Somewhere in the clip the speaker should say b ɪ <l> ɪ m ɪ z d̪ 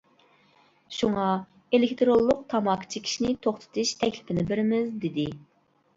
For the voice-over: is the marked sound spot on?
no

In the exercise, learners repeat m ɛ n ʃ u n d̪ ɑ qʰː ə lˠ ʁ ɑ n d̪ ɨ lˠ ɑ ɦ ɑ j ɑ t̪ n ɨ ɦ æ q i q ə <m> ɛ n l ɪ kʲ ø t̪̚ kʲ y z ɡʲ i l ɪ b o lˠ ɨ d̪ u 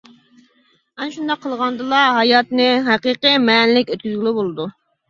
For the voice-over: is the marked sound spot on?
yes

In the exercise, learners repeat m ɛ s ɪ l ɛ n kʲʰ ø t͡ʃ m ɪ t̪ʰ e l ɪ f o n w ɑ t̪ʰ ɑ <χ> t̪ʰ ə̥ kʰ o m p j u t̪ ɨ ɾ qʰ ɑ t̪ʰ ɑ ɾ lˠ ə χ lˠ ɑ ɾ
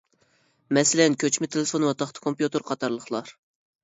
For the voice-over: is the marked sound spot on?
yes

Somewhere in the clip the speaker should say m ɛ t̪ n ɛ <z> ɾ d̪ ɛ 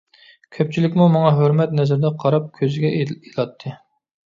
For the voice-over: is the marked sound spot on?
yes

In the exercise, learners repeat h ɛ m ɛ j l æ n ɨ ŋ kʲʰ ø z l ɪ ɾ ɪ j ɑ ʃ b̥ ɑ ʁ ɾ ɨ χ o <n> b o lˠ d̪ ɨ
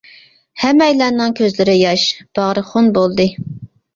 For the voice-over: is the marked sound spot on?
yes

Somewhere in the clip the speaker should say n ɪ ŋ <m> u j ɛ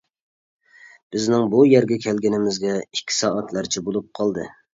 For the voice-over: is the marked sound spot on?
no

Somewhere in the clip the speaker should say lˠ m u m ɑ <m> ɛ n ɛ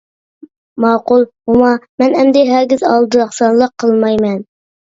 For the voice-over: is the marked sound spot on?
yes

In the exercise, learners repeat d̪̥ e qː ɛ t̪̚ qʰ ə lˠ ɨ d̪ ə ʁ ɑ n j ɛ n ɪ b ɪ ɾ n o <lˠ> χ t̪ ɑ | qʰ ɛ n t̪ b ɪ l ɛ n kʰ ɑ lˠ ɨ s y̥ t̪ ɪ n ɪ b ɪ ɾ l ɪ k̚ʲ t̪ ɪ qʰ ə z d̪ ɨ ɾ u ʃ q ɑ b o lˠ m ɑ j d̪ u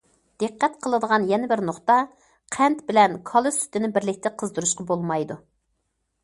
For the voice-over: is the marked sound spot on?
no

